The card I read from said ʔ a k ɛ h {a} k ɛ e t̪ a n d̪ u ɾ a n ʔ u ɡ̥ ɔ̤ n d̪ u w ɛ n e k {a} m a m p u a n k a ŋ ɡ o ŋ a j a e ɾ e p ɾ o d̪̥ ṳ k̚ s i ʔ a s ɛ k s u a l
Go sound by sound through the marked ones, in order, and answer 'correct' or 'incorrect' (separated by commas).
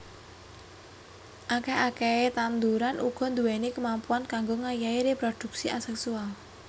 correct, incorrect